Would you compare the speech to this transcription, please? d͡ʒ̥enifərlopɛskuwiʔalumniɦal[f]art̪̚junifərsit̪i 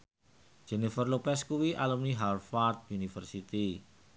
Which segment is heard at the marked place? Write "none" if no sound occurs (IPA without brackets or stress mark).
f